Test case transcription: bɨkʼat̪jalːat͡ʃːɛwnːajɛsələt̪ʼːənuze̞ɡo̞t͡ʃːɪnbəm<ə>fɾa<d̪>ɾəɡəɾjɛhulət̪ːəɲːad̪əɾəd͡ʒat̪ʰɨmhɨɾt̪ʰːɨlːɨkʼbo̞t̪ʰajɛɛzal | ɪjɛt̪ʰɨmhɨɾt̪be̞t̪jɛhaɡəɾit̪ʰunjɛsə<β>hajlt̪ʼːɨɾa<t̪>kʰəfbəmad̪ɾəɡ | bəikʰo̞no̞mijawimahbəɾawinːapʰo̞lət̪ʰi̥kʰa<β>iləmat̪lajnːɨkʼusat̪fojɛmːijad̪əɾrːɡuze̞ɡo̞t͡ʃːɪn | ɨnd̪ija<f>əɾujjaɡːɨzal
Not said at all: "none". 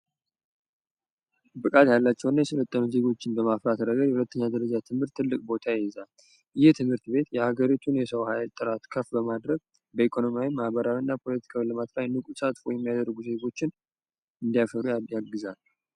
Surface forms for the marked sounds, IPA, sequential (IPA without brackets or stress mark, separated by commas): a, t̪, w, t̪, w, f